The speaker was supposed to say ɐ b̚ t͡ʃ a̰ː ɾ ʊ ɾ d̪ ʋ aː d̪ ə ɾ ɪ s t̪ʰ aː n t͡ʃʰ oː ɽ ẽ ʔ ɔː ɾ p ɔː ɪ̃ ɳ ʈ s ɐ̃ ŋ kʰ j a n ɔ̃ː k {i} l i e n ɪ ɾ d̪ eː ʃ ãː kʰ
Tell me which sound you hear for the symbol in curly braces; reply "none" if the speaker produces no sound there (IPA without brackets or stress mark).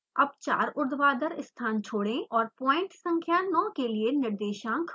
e